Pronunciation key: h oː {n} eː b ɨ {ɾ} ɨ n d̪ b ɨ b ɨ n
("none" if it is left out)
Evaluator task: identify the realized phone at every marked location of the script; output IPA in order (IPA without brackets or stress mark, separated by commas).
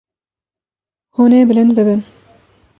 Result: n, l